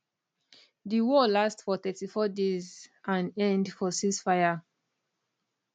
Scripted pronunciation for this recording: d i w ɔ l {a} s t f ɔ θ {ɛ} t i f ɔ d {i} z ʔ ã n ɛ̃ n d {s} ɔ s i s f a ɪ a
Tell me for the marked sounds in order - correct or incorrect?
correct, correct, incorrect: e, incorrect: f

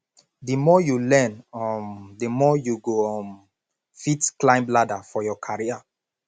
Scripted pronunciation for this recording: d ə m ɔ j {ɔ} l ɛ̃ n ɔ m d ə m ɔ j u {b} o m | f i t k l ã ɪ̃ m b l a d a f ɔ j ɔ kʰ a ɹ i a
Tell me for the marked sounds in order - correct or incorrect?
incorrect: u, incorrect: ɡ

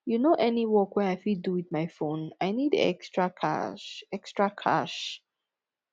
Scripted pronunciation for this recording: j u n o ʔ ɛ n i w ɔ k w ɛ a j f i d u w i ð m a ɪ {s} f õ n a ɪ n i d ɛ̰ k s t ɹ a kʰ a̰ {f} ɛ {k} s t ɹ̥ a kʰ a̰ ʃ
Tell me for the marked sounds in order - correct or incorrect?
incorrect: none, incorrect: ʃ, correct

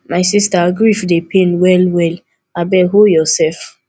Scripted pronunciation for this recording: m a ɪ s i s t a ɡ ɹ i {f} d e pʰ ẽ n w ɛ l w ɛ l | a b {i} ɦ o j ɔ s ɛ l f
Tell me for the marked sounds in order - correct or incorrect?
correct, incorrect: ɛ

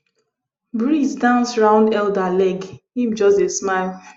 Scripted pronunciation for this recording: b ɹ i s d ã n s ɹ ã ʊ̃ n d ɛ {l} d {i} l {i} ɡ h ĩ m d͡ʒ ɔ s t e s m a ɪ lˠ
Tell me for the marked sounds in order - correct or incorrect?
correct, incorrect: a, incorrect: ɛ

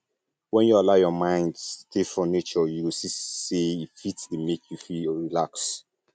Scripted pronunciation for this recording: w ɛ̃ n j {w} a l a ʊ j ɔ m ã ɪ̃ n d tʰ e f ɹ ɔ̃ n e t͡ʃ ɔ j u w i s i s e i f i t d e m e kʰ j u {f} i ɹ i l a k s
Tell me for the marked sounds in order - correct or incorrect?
incorrect: u, correct

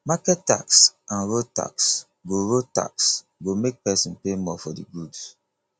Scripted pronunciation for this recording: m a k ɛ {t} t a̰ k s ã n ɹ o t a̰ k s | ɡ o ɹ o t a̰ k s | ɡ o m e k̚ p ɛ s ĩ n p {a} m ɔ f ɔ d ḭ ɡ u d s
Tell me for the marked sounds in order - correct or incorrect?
correct, incorrect: e

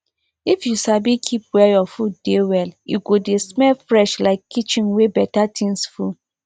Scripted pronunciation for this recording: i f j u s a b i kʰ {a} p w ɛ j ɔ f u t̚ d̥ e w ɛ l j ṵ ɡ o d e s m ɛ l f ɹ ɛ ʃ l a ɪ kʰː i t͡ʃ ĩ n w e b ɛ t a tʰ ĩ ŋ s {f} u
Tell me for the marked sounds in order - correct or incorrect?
incorrect: i, correct

